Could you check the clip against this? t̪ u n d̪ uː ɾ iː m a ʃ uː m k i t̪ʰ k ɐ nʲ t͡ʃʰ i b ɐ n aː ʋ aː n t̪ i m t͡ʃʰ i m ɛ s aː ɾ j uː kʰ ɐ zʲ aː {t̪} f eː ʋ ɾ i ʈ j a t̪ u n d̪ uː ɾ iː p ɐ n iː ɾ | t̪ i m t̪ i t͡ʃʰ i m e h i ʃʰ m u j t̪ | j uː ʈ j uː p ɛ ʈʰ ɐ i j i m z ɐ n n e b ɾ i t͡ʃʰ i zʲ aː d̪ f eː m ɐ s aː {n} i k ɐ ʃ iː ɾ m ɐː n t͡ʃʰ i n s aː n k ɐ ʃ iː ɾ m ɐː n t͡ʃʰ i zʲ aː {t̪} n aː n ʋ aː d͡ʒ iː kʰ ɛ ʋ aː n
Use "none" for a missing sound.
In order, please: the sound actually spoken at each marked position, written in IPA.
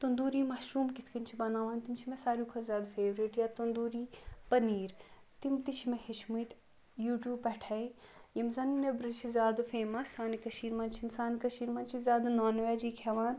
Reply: d̪, n, d̪

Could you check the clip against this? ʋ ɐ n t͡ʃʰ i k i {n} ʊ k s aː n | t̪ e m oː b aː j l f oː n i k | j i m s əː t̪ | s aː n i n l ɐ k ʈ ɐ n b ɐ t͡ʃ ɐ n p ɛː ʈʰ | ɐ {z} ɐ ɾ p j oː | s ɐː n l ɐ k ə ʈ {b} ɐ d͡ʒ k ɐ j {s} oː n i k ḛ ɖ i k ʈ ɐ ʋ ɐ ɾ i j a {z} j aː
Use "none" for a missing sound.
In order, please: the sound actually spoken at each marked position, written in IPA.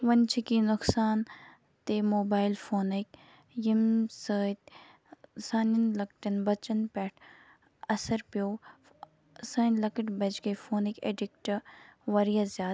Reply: n, s, b, f, z

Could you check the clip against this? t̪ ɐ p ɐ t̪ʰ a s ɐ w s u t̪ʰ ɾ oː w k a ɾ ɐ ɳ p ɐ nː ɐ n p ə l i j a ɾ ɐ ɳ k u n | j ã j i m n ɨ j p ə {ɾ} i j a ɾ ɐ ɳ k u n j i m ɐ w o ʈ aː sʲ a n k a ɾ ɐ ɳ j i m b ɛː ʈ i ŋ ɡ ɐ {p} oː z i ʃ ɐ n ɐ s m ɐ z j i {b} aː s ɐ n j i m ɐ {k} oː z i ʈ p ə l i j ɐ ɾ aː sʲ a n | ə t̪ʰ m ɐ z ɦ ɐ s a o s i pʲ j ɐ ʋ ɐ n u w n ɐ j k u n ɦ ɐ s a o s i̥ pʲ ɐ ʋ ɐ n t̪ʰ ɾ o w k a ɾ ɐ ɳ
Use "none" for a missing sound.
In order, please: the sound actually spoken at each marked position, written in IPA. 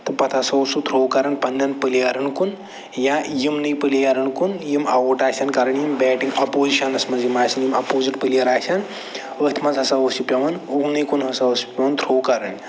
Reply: l, p, m, p

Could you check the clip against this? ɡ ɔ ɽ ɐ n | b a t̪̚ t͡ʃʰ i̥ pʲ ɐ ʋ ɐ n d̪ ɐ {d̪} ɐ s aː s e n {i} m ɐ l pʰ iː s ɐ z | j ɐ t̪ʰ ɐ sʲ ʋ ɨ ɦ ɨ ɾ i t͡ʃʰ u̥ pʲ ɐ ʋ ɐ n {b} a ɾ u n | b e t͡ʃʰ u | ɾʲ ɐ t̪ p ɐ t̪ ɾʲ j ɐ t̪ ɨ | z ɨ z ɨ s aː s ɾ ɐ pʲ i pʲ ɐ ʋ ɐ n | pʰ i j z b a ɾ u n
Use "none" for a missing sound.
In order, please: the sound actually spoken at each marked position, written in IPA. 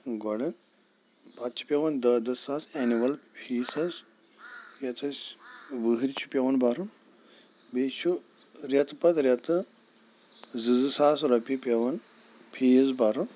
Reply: d̪, i, b

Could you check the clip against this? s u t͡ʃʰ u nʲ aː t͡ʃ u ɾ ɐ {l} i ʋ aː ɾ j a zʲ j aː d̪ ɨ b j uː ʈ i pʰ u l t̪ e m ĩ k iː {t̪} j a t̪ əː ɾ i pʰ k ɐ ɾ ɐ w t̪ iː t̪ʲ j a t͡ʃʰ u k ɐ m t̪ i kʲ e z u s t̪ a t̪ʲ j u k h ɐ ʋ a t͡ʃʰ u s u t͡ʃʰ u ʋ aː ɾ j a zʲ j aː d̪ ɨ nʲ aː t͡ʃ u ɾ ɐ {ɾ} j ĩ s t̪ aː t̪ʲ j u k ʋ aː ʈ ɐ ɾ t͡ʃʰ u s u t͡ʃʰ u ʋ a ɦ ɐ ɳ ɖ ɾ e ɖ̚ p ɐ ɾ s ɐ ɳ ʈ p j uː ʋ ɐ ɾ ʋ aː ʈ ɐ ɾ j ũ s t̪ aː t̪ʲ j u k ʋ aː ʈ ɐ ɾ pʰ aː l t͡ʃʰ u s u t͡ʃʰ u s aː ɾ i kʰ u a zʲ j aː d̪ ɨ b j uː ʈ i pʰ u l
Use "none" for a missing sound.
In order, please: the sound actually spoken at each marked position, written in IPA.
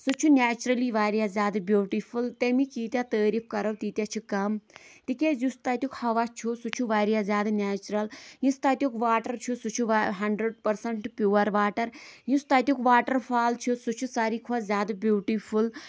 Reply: l, t̪, l

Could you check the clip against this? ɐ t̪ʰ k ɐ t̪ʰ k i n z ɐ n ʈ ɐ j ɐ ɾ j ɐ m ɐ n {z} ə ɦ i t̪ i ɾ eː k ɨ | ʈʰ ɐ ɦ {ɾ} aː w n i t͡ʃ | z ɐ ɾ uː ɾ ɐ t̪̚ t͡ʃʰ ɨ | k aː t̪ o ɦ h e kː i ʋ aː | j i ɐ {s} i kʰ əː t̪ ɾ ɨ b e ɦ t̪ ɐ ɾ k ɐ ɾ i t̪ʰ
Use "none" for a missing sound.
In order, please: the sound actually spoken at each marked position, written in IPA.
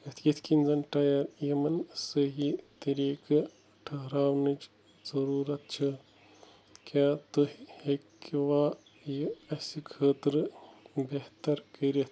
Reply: s, ɾ, s

